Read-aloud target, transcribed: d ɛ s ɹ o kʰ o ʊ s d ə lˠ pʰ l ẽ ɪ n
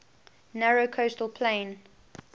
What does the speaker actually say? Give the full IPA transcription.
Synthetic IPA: n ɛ ɹ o kʰ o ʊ s t ə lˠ pʰ l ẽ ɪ n